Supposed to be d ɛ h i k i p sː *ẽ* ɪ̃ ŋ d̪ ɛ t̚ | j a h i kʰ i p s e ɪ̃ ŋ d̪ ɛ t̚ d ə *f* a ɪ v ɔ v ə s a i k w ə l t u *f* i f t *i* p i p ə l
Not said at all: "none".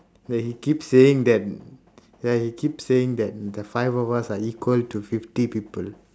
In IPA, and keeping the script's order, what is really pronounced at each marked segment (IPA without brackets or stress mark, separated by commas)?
e, f, f, i